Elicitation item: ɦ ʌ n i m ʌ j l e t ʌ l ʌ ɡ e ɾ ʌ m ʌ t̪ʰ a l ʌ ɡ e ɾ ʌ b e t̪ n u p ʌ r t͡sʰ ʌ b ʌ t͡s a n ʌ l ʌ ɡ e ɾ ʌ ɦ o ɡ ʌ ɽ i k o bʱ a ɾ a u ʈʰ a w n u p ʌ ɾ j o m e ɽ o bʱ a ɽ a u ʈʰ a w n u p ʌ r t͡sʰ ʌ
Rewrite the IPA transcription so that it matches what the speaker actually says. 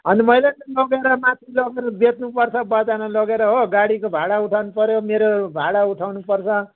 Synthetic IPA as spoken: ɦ ʌ n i m ʌ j l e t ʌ l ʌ ɡ e ɾ ʌ m a t̪ʰ i l ʌ ɡ e ɾ ʌ b e t̪ n u p ʌ r t͡sʰ ʌ b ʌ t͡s a n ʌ l ʌ ɡ e ɾ ʌ ɦ o ɡ a ɽ i k o bʱ a ɽ a u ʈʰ a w n u p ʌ ɾ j o m e ɾ o bʱ a ɽ a u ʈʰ a w n u p ʌ r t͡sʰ ʌ